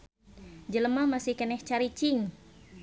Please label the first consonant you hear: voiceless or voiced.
voiced